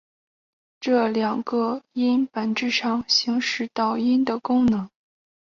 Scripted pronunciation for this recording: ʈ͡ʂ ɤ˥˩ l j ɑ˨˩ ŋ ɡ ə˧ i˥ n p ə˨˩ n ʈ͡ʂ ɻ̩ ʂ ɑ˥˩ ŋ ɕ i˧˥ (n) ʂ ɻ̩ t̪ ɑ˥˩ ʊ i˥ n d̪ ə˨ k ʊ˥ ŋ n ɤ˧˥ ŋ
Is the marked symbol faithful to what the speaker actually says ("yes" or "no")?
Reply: no